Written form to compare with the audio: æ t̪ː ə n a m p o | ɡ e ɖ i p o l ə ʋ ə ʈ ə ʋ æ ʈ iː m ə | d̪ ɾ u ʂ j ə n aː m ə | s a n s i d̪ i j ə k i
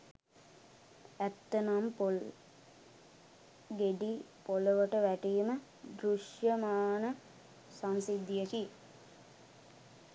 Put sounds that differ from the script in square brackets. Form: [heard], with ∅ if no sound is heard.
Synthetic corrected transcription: æ t̪ː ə n a m p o | ɡ e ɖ i p o l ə ʋ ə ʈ ə ʋ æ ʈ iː m ə | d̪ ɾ u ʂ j ə [m] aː [n] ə | s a n s i d̪ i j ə k i